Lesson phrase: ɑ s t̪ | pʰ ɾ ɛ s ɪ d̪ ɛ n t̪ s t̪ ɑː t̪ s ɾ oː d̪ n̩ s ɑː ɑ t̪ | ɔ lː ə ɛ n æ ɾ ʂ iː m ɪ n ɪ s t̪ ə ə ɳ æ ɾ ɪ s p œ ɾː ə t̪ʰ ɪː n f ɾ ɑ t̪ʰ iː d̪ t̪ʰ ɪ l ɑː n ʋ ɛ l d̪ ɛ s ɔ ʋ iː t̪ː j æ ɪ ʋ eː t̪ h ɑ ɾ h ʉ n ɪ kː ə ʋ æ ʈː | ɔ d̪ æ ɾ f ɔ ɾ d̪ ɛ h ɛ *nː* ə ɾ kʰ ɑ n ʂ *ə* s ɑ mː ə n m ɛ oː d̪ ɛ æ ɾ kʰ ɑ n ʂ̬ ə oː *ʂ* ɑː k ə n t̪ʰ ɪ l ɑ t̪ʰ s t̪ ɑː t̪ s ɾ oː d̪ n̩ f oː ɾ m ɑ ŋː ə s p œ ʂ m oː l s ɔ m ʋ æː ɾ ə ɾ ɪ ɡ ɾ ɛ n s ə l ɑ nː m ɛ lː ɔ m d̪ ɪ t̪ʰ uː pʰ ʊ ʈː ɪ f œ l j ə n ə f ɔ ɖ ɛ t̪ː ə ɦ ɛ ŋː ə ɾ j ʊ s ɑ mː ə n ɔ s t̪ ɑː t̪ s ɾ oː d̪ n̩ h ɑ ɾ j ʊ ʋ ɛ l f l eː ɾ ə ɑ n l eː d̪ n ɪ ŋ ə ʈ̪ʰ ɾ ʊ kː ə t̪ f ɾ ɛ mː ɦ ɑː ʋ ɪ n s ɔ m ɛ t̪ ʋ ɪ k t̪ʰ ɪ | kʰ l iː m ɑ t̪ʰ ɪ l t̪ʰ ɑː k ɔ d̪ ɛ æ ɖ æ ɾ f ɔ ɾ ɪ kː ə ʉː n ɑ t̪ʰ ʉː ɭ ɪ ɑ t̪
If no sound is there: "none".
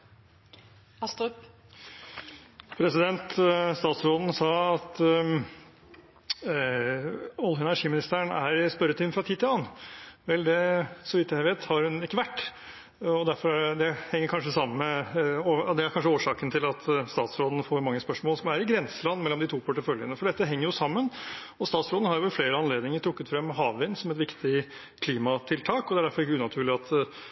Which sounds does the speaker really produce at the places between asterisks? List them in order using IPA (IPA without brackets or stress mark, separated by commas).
ŋː, ə, ʂ